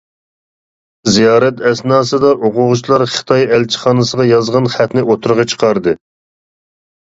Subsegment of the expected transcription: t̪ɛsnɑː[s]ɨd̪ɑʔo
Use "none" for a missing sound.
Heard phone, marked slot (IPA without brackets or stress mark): s